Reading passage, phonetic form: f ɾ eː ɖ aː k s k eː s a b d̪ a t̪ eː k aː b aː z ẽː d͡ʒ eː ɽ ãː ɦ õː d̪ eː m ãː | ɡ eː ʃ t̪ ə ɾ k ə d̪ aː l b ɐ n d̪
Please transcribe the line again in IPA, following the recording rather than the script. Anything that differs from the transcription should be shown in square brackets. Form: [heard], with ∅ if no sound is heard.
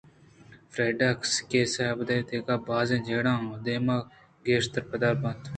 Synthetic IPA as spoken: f ɾ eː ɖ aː k s k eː s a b d̪ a t̪ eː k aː b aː z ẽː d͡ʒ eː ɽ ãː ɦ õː d̪ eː m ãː | ɡ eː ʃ t̪ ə ɾ [p] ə d̪ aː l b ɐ n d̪